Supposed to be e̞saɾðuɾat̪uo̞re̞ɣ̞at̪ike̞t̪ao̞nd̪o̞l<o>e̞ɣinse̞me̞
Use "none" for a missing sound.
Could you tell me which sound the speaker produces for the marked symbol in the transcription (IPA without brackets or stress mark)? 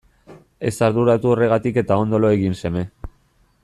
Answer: o